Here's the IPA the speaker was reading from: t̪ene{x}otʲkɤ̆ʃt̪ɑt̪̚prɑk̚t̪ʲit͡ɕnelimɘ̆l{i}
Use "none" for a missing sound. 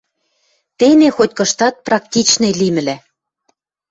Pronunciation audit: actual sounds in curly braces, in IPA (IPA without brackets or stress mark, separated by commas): x, æ